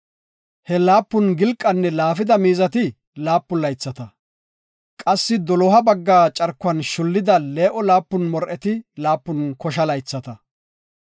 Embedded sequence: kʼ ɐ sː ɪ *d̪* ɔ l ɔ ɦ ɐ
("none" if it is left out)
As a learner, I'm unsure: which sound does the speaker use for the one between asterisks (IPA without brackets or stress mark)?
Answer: d̪